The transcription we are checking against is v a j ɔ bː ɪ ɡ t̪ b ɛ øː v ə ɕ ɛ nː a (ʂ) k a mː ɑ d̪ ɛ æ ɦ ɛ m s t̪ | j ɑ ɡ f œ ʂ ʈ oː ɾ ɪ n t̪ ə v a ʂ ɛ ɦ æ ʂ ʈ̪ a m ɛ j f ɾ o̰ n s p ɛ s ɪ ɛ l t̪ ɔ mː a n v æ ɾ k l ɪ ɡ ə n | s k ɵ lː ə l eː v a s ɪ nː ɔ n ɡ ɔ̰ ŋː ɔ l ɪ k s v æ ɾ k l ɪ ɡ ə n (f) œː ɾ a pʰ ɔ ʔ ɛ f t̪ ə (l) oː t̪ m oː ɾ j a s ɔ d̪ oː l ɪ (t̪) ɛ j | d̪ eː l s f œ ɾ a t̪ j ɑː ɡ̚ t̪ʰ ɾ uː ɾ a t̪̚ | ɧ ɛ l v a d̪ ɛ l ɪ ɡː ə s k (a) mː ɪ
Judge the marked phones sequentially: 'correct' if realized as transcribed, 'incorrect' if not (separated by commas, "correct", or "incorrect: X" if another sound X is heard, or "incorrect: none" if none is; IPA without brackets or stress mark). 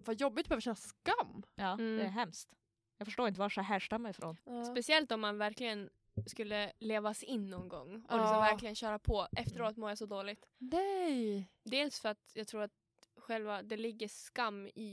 incorrect: s, incorrect: ɕ, incorrect: ɾ, correct, correct